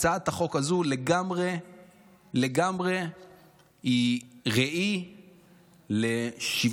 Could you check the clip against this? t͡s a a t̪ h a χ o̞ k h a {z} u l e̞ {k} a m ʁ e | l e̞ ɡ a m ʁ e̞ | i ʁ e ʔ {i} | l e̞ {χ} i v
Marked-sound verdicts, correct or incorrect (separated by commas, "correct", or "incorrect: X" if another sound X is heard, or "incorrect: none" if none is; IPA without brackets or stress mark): correct, incorrect: ɡ, correct, incorrect: ʃ